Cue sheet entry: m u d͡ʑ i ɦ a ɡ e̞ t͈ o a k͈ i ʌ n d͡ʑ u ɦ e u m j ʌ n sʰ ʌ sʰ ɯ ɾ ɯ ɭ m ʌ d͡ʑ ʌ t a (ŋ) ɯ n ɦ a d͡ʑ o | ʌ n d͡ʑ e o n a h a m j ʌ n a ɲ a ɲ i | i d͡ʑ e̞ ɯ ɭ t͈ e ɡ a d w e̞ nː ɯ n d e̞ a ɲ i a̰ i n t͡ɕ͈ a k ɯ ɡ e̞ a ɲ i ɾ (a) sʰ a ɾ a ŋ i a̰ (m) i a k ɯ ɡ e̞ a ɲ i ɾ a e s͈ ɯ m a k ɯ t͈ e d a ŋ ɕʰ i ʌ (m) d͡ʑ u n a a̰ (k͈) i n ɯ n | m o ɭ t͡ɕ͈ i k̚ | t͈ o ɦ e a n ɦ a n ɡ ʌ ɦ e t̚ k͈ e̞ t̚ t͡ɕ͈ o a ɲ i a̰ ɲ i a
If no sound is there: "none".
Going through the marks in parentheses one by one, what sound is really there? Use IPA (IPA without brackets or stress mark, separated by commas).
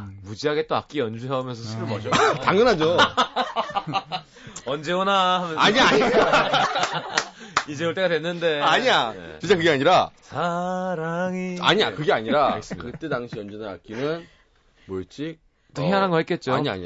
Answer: ŋ, a, ɲ, n, k͈